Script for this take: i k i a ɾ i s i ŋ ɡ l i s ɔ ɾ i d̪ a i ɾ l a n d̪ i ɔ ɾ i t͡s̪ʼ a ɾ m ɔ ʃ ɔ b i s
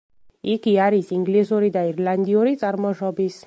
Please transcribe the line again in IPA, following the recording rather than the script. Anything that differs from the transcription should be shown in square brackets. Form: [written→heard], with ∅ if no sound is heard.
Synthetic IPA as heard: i k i a ɾ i s i ŋ ɡ l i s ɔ ɾ i d̪ a i ɾ l a n d̪ i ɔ ɾ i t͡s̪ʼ a ɾ m ɔ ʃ ɔ b i s